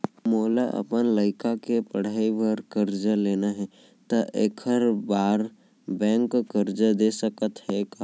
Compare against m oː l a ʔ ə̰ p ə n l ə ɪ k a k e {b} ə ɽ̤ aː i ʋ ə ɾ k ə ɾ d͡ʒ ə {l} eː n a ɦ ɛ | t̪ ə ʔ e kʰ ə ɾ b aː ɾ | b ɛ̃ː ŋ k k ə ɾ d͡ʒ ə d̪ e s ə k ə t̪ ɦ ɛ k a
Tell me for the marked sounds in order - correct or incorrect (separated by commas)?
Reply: incorrect, correct